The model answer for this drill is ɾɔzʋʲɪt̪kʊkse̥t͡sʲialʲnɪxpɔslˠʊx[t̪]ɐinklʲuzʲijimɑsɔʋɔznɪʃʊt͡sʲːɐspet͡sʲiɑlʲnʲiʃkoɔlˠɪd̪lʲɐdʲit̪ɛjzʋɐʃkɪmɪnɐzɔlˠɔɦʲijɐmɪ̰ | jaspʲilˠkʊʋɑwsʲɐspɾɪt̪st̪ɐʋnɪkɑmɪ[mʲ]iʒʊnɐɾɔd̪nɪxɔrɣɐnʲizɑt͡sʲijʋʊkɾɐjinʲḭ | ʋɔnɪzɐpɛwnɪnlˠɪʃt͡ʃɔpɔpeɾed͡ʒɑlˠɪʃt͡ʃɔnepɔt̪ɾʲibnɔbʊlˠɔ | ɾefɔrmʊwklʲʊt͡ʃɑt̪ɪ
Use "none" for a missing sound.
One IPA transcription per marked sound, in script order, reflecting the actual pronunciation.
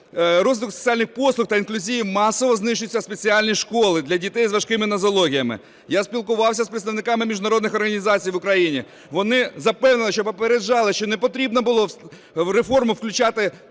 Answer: t̪, mʲ

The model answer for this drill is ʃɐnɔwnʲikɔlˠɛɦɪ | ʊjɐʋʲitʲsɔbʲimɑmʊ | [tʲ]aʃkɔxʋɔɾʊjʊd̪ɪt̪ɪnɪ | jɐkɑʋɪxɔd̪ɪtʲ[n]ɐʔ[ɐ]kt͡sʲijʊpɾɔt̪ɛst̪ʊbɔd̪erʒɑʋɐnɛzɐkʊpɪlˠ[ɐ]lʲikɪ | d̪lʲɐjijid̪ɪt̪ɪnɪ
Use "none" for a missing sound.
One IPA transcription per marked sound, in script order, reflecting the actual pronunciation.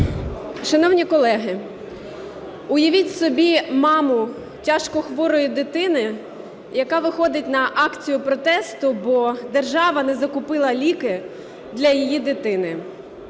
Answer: tʲ, n, ɑ, ɐ

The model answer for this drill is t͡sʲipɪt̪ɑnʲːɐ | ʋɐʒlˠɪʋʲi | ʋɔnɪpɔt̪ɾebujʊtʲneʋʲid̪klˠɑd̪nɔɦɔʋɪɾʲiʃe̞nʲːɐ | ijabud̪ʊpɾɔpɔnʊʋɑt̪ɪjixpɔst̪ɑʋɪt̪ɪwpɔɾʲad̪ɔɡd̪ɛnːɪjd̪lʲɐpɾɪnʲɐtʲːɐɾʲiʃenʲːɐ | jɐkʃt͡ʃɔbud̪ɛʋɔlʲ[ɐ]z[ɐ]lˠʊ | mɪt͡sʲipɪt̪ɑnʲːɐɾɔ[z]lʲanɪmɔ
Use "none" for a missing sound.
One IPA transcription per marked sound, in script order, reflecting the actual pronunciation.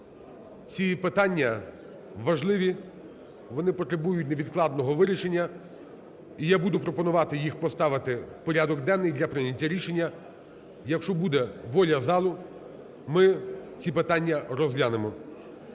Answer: ɐ, ɑ, z

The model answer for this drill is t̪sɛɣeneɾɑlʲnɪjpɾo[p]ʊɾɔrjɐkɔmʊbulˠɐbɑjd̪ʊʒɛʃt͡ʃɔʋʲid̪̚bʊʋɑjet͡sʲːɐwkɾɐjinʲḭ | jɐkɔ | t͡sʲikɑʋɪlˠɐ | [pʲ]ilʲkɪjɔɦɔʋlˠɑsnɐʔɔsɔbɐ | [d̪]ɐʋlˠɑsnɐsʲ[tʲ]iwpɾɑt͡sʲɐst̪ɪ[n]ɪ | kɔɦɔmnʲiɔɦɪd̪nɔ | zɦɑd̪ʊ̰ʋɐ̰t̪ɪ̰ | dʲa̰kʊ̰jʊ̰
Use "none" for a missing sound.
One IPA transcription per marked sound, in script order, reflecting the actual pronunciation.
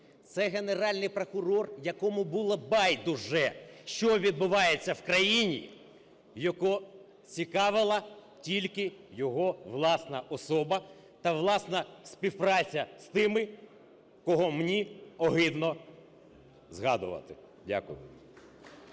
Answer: k, tʲ, t̪, pʲ, m

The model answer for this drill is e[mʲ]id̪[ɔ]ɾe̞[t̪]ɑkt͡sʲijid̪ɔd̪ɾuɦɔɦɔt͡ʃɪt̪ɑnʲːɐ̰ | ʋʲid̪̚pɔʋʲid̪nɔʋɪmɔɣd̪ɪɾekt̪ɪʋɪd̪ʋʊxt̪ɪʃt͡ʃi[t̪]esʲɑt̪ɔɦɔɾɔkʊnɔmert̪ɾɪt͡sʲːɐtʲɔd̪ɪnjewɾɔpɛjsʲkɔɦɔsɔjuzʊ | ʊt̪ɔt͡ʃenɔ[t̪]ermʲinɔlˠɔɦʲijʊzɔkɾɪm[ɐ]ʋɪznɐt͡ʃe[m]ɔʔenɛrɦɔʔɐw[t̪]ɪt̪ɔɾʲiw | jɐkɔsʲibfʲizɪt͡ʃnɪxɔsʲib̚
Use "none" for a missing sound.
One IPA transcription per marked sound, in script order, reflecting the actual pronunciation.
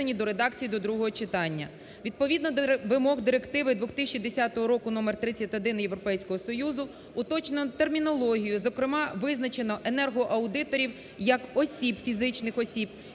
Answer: nʲ, ɔ, d̪, d̪, t̪, ɑ, n, d̪

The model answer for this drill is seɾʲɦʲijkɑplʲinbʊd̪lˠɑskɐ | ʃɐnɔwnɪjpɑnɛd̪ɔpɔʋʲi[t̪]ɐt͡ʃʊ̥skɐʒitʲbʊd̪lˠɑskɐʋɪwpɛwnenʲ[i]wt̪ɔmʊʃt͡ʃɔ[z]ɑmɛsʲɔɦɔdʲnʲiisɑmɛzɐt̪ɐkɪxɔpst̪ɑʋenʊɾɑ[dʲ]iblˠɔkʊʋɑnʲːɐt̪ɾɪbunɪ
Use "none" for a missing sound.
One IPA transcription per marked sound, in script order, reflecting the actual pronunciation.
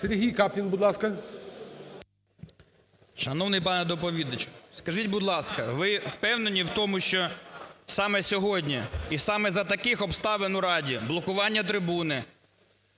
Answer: d̪, i, s, dʲ

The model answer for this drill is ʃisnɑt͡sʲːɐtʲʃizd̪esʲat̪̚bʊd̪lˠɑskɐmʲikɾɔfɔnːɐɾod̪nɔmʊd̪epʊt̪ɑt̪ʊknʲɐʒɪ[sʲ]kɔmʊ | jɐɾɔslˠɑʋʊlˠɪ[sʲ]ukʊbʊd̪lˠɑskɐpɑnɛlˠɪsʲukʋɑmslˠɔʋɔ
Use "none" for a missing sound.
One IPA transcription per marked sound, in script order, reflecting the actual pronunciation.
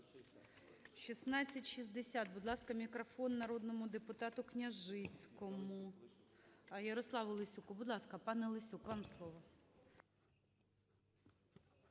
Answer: t͡sʲ, sʲ

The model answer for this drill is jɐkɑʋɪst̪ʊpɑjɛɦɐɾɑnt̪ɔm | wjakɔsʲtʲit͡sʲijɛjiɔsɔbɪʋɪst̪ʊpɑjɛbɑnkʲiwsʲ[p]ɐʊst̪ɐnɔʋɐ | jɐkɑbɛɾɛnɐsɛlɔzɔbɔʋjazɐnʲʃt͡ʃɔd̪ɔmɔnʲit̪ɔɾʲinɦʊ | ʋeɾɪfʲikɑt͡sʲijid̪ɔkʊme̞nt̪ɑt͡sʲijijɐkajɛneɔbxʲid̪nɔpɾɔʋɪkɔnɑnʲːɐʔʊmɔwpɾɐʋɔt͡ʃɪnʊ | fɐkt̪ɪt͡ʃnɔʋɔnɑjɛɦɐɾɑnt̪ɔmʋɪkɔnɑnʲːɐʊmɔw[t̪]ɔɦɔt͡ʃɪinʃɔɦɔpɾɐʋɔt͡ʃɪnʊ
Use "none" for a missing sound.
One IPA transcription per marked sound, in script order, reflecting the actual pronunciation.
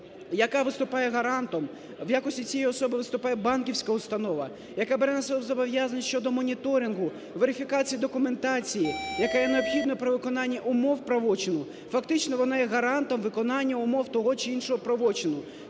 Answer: k, t̪

